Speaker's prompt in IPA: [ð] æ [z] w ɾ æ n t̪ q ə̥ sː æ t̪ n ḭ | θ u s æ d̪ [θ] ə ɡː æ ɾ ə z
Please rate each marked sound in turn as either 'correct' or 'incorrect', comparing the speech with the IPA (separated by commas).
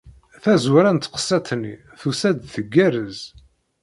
incorrect, correct, correct